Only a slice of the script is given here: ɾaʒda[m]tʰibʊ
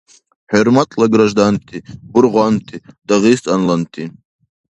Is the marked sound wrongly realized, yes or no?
yes